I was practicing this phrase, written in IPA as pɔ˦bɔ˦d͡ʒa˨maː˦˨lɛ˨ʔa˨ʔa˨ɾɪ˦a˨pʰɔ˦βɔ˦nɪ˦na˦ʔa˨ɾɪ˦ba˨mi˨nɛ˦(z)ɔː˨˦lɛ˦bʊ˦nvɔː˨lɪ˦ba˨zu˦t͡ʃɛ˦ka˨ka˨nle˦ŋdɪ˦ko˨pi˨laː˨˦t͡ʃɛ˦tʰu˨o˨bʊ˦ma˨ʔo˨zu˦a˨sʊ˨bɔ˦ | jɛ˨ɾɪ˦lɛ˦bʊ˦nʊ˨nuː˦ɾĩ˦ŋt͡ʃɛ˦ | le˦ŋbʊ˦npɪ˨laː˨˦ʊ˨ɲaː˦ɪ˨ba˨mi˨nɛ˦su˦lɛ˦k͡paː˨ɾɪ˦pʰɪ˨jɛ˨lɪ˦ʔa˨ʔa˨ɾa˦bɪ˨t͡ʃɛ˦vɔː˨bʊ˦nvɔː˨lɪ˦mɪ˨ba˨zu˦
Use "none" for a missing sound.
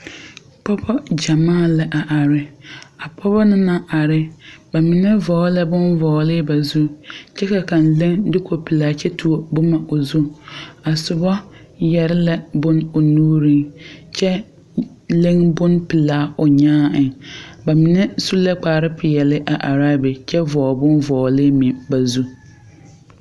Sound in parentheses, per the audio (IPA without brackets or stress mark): v